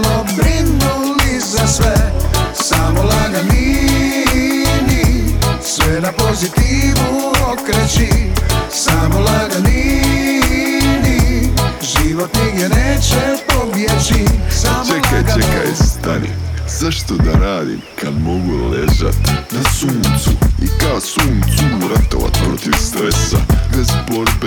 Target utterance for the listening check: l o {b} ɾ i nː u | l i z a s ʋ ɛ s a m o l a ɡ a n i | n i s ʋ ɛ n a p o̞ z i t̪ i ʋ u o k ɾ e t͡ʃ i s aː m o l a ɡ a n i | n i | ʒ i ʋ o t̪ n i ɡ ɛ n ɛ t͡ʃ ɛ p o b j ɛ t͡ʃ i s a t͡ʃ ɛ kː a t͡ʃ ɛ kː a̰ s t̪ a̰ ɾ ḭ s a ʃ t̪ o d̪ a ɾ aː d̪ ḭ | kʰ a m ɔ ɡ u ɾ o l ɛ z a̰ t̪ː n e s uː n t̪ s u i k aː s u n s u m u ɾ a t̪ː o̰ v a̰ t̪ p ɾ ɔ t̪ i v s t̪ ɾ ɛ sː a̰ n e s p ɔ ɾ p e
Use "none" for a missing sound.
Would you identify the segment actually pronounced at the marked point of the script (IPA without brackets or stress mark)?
b